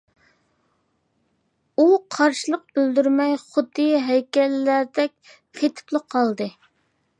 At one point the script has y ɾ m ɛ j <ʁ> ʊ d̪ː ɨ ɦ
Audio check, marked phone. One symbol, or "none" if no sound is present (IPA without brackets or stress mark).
χ